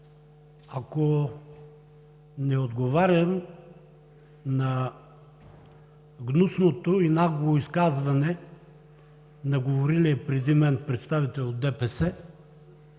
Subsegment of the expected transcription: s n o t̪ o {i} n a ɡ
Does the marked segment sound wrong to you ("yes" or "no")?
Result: no